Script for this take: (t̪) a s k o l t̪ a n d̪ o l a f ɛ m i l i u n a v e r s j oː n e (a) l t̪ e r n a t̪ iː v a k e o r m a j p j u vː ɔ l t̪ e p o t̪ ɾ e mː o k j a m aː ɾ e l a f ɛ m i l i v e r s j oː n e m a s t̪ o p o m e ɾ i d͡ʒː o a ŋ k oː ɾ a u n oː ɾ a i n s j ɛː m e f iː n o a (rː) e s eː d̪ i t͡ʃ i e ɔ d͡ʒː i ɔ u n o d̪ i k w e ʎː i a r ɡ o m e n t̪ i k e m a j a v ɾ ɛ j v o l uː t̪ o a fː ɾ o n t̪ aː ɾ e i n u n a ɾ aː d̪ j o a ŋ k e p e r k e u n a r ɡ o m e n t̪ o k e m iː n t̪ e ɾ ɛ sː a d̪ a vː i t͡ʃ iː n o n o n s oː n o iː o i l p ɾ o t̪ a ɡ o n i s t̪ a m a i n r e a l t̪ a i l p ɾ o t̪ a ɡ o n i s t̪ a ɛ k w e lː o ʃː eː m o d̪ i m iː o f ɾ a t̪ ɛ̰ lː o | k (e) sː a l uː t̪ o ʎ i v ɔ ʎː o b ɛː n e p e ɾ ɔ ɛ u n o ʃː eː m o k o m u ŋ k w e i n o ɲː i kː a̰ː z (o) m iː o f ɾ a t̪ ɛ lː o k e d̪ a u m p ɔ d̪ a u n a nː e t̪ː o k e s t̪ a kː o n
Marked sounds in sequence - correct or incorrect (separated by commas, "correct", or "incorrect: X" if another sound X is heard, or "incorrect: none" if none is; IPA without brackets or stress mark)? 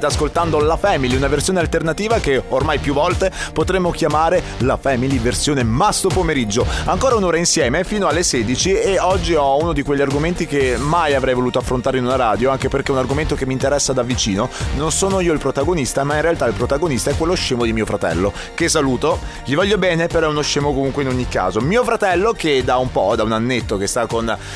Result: correct, correct, incorrect: lː, correct, correct